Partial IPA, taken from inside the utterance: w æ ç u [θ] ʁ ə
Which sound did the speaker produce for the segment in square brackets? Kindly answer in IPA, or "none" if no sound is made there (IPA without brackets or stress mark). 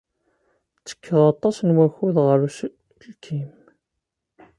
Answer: ð